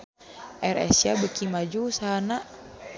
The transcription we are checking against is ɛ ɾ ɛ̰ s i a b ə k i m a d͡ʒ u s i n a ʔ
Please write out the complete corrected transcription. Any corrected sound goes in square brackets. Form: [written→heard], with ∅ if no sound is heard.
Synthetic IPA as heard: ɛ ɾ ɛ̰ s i a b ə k i m a d͡ʒ u s [i→a] n a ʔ